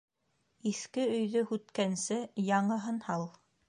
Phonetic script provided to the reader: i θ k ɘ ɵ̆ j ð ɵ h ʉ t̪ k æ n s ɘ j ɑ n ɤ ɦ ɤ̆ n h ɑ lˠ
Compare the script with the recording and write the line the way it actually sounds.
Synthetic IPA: i θ k ɘ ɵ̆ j ð ɵ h ʉ t̪ k æ n s ɘ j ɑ ɴ ɤ ɦ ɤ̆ n h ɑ lˠ